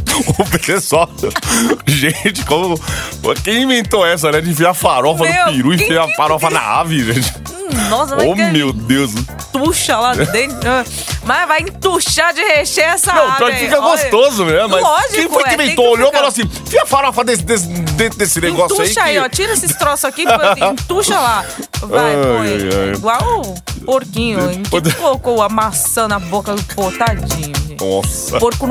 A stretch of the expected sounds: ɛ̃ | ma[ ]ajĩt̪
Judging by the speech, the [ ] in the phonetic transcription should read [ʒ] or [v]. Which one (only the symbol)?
v